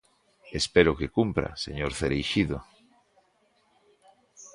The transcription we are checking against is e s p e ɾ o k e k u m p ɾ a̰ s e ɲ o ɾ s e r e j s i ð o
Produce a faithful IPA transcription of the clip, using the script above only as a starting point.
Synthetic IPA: e s p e ɾ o k e k u m p ɾ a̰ s e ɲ o ɾ θ e ɾ e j ʃ i ð o